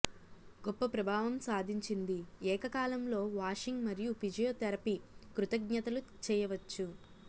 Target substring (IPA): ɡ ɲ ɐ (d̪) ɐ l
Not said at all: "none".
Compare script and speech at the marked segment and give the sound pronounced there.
t̪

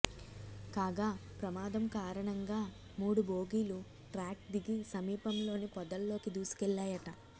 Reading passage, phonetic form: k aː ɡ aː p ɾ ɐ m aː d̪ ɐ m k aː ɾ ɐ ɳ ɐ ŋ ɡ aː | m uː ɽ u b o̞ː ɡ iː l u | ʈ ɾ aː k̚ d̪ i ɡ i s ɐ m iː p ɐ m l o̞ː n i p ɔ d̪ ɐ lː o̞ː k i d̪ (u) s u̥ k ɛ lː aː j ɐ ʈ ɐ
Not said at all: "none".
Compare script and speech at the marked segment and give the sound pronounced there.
uː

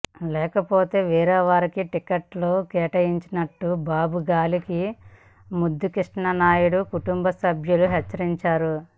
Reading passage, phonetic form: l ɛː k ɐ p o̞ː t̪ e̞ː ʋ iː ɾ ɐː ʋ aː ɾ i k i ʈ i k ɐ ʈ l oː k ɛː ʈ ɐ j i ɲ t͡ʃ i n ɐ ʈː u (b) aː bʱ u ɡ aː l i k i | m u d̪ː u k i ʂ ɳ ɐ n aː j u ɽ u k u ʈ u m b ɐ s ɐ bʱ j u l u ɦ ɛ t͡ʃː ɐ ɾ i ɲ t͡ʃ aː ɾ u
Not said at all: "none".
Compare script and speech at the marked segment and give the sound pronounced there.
b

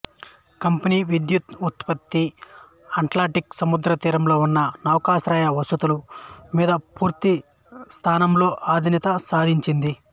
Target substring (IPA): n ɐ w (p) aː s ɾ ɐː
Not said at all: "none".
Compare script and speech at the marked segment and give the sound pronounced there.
k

